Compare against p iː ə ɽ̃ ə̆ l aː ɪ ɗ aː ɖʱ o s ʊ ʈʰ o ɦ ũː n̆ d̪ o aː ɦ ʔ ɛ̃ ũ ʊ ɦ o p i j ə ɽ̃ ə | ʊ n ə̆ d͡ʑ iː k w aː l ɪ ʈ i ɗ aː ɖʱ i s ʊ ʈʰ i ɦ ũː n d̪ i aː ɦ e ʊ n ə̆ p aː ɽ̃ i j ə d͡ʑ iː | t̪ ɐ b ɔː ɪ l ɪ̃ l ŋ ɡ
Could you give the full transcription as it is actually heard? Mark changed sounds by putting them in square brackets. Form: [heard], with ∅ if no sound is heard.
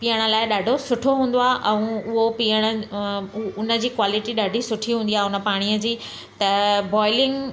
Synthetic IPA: p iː ə ɽ̃ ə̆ l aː ɪ ɗ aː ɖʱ o s ʊ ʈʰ o ɦ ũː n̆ d̪ o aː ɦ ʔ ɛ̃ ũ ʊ ɦ o p i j ə ɽ̃ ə | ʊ n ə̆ d͡ʑ iː k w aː l ɪ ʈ i ɗ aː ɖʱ i s ʊ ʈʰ i ɦ ũː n d̪ i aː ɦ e ʊ n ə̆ p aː ɽ̃ i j ə d͡ʑ iː | t̪ ɐ b ɔː ɪ l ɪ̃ [∅] ŋ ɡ

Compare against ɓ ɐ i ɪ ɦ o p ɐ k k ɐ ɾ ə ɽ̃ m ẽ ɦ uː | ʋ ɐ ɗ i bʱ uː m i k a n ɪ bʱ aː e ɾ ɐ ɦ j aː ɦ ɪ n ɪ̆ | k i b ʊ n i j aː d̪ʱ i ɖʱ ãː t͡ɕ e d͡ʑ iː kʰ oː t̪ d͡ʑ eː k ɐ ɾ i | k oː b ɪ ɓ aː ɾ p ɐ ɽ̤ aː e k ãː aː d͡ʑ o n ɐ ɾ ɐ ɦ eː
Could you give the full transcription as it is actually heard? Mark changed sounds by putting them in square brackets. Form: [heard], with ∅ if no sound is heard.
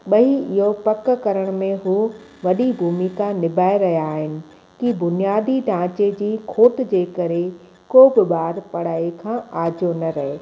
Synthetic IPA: ɓ ɐ i ɪ ɦ o p ɐ k k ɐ ɾ ə ɽ̃ m ẽ ɦ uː | ʋ ɐ ɗ i bʱ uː m i k a n ɪ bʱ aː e ɾ ɐ ɦ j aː ɦ ɪ n ɪ̆ | k i b ʊ n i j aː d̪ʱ i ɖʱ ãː t͡ɕ e d͡ʑ iː kʰ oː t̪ d͡ʑ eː k ɐ ɾ [e] | k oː b ɪ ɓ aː ɾ p ɐ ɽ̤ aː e [kʰ] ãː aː d͡ʑ o n ɐ ɾ ɐ ɦ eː

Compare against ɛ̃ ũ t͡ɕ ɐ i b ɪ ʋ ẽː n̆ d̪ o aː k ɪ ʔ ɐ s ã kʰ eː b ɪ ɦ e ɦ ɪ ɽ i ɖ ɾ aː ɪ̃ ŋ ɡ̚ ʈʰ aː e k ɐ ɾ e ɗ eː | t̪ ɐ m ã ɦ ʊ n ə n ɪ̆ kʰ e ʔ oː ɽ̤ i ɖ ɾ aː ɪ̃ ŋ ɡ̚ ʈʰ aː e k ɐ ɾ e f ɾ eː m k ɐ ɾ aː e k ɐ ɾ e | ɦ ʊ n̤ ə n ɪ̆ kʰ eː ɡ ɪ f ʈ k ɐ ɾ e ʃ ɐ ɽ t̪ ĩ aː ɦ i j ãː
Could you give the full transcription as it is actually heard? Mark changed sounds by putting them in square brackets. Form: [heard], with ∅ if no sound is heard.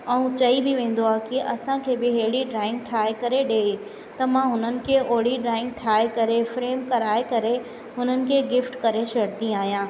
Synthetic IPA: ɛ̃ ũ t͡ɕ ɐ i b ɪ ʋ ẽː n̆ d̪ o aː k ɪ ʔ ɐ s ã kʰ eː b ɪ ɦ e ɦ ɪ ɽ i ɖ ɾ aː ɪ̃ ŋ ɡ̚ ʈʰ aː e k ɐ ɾ e ɗ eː | t̪ ɐ m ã ɦ ʊ n ə n ɪ̆ kʰ e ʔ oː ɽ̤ i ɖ ɾ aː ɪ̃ ŋ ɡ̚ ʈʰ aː e k ɐ ɾ e f ɾ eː m k ɐ ɾ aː e k ɐ ɾ e | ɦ ʊ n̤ ə n ɪ̆ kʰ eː ɡ ɪ f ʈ k ɐ ɾ e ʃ ɐ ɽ t̪ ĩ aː ɦ i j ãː

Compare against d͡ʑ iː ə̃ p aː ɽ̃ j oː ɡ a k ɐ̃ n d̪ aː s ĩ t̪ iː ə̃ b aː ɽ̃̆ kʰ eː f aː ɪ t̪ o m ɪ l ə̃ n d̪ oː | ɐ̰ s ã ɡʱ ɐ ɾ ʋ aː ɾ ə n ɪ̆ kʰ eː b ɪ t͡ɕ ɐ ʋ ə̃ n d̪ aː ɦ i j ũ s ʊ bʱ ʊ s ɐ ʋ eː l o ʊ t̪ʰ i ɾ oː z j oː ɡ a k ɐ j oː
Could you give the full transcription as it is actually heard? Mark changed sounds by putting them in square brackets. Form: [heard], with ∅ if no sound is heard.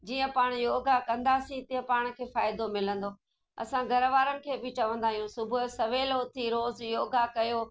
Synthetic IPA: d͡ʑ iː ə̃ p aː ɽ̃ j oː ɡ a k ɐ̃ n d̪ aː s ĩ t̪ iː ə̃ [p] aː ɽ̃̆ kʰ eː f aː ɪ [d̪] o m ɪ l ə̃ n d̪ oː | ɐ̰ s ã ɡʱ ɐ ɾ ʋ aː ɾ ə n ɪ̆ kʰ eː b ɪ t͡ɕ ɐ ʋ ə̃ n d̪ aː ɦ i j ũ s ʊ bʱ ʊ s ɐ ʋ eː l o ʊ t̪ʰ i ɾ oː z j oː ɡ a k ɐ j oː

